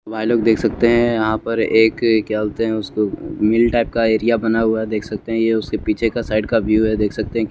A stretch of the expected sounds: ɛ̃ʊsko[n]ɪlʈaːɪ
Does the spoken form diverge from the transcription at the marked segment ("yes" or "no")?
yes